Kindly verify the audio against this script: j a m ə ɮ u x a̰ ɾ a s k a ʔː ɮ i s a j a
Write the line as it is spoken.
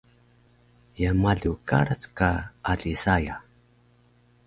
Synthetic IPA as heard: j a m a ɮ u k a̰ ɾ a t͡s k a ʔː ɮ i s a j a